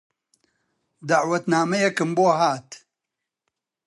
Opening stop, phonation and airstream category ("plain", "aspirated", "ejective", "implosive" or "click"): plain